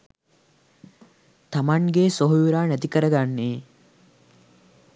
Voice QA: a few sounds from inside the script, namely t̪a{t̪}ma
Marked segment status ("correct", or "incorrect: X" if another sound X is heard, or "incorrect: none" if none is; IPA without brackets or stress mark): incorrect: none